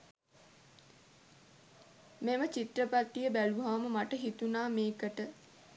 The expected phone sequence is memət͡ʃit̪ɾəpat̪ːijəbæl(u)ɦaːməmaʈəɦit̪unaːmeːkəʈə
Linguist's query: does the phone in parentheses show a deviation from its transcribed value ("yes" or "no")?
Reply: no